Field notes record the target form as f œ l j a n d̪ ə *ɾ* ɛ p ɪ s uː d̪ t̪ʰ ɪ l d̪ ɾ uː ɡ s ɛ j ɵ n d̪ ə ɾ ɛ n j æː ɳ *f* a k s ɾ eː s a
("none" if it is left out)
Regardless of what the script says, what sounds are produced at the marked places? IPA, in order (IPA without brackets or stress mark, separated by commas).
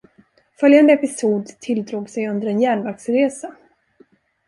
none, v